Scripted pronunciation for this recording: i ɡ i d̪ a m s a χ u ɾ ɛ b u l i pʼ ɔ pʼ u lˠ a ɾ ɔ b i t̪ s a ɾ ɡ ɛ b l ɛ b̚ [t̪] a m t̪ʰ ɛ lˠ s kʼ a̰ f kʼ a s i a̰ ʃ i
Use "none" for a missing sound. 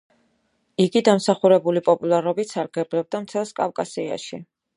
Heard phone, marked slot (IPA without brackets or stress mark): d̪